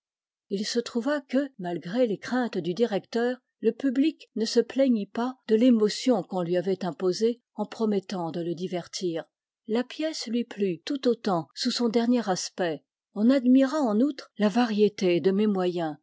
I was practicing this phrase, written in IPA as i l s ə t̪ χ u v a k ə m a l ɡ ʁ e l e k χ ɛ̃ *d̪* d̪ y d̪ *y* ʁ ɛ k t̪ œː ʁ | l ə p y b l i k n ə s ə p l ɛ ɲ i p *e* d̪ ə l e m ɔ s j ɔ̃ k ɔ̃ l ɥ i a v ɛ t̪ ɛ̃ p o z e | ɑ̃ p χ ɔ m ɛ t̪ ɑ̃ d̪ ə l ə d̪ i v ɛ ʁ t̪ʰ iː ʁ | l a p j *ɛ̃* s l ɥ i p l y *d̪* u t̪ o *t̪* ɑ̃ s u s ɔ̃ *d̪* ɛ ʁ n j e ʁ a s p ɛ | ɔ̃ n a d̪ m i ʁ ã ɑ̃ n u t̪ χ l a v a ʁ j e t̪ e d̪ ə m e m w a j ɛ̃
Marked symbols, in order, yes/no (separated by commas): no, no, no, no, no, yes, yes